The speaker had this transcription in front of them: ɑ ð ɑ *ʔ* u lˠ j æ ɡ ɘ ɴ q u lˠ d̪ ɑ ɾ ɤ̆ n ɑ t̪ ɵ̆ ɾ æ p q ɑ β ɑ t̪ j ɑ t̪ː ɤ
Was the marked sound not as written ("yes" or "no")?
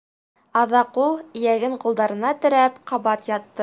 yes